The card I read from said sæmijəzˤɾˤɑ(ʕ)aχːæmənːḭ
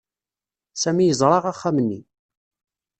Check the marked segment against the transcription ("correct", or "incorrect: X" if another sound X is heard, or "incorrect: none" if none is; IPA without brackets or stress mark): incorrect: ʁ